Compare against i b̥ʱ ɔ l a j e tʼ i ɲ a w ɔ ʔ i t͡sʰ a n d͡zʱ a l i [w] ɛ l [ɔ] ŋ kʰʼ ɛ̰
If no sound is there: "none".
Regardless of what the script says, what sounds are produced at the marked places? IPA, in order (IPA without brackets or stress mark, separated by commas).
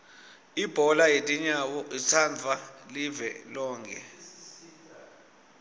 v, ɔː